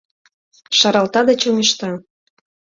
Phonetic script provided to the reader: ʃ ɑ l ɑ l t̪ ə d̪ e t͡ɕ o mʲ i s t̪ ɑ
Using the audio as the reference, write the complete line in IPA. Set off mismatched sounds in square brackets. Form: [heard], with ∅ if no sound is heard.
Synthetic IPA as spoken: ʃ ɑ [ɾ] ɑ l t̪ [ɑ] d̪ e t͡ɕ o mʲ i [ʃ] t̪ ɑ